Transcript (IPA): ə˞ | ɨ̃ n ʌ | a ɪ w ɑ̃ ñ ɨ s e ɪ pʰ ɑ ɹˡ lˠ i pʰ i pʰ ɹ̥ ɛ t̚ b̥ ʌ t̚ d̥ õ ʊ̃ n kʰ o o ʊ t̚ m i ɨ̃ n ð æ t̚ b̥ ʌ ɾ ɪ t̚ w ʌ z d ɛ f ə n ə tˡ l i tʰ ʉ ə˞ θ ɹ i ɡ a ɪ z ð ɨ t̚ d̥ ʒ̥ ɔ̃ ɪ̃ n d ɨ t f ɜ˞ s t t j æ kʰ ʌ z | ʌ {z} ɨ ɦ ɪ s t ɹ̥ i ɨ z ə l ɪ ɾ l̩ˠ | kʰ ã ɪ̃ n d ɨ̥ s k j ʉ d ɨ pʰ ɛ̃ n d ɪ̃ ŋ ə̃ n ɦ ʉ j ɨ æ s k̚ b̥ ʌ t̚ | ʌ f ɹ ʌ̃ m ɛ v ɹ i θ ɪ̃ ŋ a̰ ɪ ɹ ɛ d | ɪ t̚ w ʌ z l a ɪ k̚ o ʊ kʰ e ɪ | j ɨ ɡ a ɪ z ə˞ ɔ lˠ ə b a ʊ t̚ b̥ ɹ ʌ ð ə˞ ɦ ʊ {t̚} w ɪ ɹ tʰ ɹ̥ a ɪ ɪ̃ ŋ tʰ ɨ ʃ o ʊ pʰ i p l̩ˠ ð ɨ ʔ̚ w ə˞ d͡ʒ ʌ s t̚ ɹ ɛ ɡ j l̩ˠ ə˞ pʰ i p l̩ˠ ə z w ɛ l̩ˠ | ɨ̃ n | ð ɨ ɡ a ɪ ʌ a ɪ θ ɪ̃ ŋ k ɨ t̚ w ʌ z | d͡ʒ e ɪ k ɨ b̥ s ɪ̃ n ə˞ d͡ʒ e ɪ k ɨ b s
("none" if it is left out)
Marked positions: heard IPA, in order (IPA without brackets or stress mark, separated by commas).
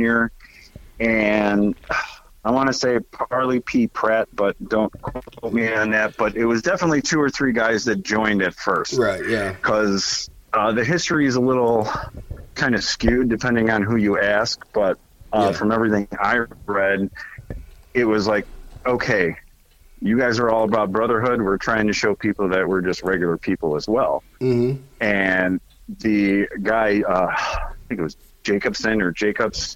ð, d̚